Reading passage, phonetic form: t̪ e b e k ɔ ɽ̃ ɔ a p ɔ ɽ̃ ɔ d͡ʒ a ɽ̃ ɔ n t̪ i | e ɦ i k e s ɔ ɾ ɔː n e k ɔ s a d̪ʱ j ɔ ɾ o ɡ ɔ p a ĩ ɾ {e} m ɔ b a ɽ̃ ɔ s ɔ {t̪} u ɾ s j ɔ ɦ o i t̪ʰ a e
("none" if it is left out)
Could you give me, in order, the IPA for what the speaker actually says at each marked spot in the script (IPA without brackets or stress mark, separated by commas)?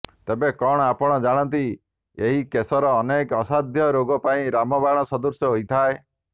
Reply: a, d̪